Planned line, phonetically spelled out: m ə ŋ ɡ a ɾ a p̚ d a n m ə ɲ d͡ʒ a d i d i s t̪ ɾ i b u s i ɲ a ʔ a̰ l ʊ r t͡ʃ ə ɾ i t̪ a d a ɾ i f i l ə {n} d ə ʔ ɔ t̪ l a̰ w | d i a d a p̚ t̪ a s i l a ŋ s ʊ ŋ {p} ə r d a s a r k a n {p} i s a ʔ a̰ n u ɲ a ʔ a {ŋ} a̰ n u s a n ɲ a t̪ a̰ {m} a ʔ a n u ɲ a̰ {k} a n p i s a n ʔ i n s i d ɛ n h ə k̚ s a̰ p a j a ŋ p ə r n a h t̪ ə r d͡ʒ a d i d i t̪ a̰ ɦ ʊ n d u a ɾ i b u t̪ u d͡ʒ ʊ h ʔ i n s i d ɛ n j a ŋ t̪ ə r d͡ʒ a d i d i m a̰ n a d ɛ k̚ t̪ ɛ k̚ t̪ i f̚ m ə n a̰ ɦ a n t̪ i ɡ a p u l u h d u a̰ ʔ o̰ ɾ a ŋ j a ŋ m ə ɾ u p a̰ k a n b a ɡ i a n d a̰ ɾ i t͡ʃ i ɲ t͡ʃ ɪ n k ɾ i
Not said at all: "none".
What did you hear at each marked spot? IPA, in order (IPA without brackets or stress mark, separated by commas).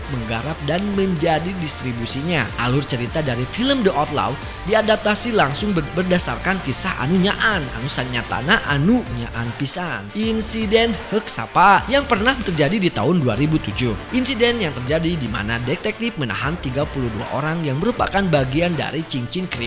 m, b, k, n, n, ʔ